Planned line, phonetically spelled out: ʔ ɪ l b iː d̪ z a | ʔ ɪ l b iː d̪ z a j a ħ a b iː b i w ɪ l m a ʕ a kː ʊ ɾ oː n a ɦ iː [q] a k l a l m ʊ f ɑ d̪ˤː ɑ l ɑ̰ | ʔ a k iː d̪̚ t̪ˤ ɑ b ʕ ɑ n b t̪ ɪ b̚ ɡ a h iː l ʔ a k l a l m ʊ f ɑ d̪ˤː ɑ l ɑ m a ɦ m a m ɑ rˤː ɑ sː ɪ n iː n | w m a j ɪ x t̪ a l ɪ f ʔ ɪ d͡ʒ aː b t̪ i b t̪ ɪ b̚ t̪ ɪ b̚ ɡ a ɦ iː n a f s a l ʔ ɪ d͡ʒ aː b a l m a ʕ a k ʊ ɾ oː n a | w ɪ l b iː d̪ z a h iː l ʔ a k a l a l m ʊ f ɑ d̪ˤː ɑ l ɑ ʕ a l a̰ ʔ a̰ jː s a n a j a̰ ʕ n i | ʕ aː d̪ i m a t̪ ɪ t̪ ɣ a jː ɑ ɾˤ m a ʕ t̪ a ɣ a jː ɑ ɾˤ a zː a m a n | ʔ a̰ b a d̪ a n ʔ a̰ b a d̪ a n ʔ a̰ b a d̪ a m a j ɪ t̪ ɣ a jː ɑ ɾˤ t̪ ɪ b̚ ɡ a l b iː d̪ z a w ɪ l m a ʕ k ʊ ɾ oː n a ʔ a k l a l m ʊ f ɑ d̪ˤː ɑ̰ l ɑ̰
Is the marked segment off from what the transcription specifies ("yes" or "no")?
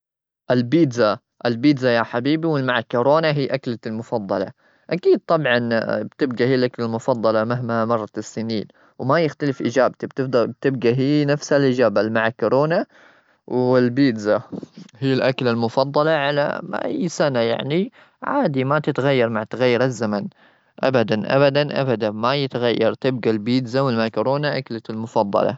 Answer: yes